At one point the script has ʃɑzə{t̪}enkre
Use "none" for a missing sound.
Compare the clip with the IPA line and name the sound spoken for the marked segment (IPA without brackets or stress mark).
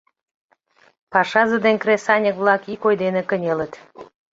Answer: d̪